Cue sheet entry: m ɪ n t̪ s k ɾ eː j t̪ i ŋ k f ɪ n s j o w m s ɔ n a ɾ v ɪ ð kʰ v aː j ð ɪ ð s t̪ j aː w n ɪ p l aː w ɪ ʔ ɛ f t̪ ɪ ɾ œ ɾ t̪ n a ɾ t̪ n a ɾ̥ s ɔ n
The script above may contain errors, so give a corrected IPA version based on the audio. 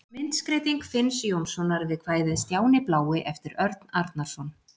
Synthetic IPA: m ɪ n t̪ s k ɾ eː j t̪ i ŋ k f ɪ n s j o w m s ɔ n a ɾ v ɪ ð kʰ v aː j ð ɪ ð s t̪ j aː w n ɪ p l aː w ɪ ʔ ɛ f t̪ ɪ ɾ œ ɾ t̪ n a ɾ t̪ n a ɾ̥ s ɔ n